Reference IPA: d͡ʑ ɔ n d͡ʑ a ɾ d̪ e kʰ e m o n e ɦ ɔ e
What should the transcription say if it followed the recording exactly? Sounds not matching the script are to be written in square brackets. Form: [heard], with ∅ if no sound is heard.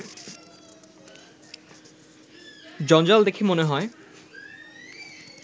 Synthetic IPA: d͡ʑ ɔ n d͡ʑ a [l] d̪ e kʰ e m o n e ɦ ɔ e